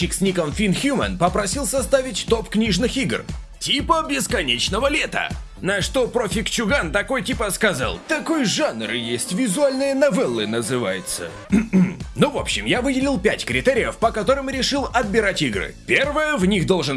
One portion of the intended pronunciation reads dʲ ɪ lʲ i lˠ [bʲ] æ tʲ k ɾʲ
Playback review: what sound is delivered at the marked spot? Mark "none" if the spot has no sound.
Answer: pʲ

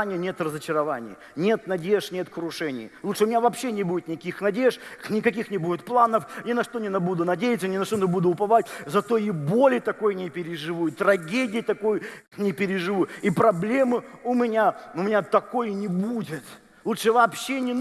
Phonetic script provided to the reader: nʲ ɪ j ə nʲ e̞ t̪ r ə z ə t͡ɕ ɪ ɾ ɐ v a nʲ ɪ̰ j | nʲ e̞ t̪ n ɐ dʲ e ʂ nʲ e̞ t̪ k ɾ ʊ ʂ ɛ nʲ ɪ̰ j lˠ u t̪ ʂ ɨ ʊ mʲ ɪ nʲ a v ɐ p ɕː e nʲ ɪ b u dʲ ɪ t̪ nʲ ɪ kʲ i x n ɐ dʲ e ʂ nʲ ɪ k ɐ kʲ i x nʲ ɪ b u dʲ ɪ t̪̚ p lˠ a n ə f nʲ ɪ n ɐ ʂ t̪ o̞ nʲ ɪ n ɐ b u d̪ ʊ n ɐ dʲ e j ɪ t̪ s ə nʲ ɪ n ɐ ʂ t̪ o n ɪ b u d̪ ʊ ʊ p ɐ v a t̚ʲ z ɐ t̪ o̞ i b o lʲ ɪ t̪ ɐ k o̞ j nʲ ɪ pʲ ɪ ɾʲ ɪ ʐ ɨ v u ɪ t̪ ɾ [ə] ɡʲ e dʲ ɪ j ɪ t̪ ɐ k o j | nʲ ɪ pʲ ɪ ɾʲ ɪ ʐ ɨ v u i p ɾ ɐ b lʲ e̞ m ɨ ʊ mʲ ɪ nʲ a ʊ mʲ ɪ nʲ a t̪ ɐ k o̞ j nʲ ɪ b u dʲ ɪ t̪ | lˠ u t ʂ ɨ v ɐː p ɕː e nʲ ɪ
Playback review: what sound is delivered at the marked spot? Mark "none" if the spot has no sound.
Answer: ɐ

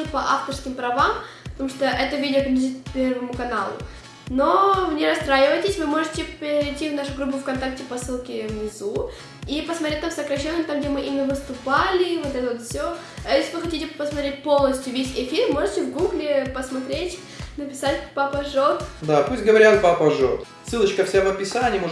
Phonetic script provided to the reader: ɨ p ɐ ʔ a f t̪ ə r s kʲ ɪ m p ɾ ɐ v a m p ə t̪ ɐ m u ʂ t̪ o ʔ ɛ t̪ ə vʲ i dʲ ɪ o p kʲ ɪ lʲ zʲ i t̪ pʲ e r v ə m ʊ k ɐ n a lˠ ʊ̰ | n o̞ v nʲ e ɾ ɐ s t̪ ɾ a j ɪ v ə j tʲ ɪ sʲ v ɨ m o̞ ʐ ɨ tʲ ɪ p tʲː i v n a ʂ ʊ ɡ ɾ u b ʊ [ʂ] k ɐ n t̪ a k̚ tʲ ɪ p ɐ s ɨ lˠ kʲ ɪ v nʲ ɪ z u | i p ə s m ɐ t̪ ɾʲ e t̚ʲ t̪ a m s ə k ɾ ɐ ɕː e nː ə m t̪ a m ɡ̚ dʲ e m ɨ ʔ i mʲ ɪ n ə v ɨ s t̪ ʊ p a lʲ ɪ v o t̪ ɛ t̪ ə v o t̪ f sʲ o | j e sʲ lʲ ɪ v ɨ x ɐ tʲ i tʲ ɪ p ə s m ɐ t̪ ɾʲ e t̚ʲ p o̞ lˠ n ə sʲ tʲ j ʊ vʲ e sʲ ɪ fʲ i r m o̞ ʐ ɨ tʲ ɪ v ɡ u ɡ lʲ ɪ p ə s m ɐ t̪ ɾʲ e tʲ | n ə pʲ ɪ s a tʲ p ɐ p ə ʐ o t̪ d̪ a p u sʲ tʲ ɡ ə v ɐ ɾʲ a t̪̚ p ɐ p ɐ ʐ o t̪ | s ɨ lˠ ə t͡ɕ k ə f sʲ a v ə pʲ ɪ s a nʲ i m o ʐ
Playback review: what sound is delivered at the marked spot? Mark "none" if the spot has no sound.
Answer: f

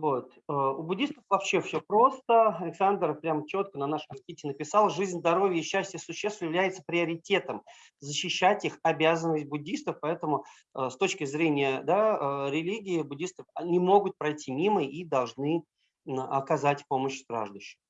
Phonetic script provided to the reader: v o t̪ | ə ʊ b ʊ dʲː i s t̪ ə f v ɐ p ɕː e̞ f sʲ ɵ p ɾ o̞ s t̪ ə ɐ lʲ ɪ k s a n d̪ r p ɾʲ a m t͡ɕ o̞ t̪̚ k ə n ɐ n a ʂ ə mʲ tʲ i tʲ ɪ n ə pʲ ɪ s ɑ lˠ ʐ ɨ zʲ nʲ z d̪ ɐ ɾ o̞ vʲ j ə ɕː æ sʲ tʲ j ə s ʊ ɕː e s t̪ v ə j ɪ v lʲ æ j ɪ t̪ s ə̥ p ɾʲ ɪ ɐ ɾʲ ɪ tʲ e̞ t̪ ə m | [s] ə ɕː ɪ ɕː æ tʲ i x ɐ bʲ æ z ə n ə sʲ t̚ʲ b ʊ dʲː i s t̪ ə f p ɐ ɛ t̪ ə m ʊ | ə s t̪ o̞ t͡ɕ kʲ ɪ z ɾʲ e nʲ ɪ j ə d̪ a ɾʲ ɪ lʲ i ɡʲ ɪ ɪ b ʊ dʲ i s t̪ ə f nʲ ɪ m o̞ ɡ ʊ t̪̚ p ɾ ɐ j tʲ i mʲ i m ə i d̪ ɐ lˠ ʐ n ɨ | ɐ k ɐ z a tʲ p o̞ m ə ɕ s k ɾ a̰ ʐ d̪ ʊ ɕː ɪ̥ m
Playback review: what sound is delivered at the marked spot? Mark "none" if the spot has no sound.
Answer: z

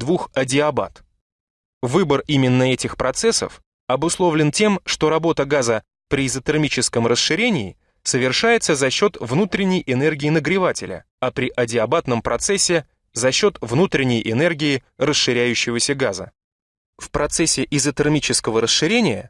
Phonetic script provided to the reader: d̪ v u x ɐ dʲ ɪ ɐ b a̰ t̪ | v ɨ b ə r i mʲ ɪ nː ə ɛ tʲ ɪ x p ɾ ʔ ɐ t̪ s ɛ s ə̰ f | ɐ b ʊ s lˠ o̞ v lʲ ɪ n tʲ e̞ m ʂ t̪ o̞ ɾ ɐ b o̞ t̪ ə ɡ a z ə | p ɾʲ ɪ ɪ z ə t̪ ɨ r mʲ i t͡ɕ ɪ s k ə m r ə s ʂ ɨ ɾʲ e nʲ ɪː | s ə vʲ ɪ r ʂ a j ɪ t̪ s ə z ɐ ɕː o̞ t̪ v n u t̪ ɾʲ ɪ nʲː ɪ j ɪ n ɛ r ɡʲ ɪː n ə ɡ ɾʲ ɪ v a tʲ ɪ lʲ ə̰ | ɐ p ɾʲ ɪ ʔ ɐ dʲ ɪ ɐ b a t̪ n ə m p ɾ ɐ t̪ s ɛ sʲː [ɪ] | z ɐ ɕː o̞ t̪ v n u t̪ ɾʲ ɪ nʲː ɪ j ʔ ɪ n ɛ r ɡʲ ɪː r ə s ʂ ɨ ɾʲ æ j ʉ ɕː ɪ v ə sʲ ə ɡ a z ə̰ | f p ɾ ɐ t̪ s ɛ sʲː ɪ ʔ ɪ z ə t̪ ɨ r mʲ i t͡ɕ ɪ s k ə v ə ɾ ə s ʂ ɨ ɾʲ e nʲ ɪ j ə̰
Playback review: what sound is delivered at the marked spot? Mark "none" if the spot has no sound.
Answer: ɪ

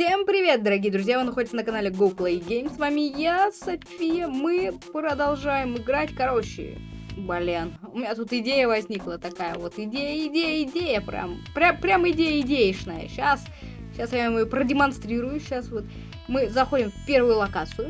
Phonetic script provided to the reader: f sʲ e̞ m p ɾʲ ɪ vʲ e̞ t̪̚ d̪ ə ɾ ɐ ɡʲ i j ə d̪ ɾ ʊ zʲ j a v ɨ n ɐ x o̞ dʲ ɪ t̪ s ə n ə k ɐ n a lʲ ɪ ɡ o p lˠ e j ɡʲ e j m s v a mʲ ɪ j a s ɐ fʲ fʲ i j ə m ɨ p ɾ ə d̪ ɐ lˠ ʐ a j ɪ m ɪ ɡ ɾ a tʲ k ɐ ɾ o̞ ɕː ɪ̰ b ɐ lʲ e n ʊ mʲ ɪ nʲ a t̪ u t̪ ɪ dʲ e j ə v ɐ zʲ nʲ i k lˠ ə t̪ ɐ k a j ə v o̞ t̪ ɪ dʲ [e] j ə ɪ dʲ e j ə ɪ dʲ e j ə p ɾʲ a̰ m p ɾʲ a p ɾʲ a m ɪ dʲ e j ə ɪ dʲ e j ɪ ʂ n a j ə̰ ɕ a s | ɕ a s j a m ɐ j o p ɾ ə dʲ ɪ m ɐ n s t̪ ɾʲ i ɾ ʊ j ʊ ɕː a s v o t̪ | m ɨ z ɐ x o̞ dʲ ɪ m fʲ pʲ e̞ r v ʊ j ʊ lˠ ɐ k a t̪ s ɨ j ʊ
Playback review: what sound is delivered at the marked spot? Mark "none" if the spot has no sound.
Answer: e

